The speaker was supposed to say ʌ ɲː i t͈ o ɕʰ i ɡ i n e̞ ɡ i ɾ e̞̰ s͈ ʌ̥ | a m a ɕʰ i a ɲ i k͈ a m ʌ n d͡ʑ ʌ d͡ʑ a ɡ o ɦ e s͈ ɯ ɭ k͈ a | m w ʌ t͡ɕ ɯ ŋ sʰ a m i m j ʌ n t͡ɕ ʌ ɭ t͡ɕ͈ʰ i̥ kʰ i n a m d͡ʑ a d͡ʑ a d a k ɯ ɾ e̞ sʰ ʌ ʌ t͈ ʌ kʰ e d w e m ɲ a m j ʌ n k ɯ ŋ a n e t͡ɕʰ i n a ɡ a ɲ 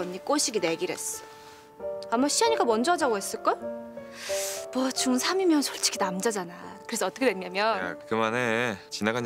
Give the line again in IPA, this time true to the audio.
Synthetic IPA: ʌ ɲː i k͈ o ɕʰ i ɡ i n e̞ ɡ i ɾ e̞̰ s͈ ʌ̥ | a m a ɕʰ i a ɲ i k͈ a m ʌ n d͡ʑ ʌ d͡ʑ a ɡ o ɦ e s͈ ɯ ɭ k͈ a | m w ʌ t͡ɕ u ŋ sʰ a m i m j ʌ n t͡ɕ ʌ ɭ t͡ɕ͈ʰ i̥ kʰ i n a m d͡ʑ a d͡ʑ a n a k ɯ ɾ e̞ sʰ ʌ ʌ t͈ ʌ kʰ e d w e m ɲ a m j ʌ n k ɯ m a n e t͡ɕ i n a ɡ a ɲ